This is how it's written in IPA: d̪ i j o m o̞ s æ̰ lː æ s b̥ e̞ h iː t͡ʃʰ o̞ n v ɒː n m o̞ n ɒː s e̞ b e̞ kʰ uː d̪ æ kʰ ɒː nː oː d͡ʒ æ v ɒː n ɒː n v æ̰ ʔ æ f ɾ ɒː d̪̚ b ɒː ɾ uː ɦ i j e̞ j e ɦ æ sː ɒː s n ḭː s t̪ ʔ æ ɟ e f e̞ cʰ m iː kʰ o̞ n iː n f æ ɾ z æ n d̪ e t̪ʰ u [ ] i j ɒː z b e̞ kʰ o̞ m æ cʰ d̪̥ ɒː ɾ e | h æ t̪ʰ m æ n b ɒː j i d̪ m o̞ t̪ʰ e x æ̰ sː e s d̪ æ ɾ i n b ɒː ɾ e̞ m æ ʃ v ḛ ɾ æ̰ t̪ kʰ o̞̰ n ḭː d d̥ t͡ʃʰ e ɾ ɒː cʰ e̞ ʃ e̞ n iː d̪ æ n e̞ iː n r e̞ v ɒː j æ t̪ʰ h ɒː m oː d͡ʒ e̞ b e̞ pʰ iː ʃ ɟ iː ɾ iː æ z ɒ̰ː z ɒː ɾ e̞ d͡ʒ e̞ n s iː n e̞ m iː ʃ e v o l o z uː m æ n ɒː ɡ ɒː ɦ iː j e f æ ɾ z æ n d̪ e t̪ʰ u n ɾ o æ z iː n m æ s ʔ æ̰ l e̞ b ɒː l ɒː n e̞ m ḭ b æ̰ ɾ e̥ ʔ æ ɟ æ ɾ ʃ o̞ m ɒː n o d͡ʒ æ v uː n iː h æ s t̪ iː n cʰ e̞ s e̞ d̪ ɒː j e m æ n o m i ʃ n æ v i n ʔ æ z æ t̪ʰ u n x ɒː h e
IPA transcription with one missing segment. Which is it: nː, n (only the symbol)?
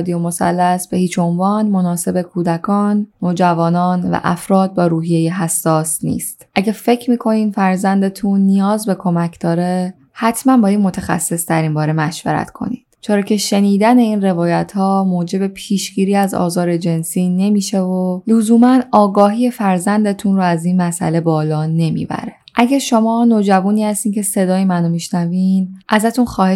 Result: nː